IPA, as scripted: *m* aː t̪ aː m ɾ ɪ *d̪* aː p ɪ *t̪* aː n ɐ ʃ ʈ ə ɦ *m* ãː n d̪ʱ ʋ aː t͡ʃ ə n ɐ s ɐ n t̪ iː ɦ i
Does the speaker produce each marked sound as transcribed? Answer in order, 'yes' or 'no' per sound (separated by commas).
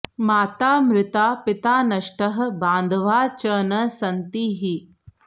yes, no, yes, no